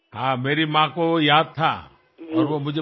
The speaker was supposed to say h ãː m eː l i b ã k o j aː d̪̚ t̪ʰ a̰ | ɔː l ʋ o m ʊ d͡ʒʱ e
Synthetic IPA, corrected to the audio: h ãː m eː ɾ i m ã k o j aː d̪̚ t̪ʰ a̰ | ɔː ɾ ʋ o m ʊ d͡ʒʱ e